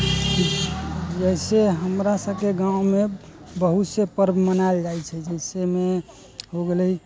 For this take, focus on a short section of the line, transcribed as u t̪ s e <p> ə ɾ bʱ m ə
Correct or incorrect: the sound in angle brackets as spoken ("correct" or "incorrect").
correct